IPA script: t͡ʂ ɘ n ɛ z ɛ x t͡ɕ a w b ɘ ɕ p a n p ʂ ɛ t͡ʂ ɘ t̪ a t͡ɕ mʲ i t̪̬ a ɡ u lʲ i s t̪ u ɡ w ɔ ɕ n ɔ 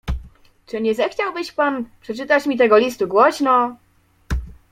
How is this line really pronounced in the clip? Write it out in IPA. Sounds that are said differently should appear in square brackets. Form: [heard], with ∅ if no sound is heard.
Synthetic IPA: t͡ʂ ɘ [ɲ] ɛ z ɛ x t͡ɕ a w b ɘ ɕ p a n p ʂ ɛ t͡ʂ ɘ t̪ a t͡ɕ mʲ i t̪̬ [ɛ] ɡ [ɔ] lʲ i s t̪ u ɡ w ɔ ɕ n ɔ